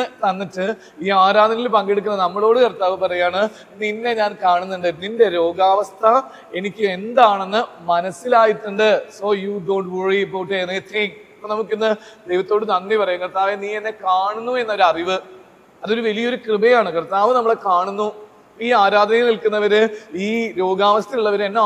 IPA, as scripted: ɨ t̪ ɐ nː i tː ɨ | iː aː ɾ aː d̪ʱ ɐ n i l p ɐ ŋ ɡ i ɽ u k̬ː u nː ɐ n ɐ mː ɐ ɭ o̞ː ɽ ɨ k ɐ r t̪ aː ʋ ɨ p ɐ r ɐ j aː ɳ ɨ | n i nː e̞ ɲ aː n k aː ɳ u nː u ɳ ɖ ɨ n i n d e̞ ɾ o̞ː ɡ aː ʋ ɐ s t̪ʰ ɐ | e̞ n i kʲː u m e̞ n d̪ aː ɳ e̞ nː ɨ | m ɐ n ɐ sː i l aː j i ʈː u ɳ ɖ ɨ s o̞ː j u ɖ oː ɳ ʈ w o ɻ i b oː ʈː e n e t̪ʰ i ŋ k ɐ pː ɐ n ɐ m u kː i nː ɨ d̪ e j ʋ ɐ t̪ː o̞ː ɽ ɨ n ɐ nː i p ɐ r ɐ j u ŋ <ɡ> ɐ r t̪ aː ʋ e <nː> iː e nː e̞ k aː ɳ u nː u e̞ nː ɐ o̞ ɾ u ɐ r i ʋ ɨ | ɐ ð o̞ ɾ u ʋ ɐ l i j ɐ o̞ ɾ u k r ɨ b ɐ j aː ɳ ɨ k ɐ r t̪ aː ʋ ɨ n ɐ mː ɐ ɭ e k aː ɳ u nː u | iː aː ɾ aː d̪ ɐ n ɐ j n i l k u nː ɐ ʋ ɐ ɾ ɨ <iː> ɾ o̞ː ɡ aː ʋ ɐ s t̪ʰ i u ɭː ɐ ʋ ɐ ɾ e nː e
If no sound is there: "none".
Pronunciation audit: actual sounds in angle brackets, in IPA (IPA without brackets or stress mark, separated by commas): k, n, iː